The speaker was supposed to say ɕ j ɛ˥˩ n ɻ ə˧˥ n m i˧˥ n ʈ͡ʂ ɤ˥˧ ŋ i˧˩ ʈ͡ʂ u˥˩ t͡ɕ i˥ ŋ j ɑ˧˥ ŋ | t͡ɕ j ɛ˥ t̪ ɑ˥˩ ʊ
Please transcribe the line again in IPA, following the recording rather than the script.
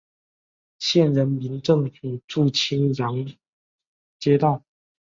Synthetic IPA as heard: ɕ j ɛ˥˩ n ɻ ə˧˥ n m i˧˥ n ʈ͡ʂ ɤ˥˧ ŋ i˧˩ ʈ͡ʂ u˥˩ t͡ɕʰ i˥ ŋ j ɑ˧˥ ŋ | t͡ɕ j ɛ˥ t̪ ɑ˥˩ ʊ